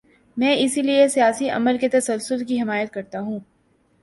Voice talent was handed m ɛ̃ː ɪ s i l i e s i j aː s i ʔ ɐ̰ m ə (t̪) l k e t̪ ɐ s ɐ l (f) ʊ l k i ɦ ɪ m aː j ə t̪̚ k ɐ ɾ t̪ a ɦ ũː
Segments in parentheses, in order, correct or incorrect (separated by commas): incorrect, incorrect